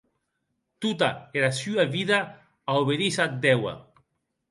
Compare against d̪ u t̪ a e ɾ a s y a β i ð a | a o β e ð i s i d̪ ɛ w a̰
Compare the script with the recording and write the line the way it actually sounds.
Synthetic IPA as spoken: t̪ u t̪ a e ɾ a s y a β i ð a | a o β e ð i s a d̪ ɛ w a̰